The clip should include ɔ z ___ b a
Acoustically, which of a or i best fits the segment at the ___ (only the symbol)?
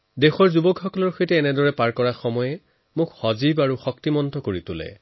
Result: i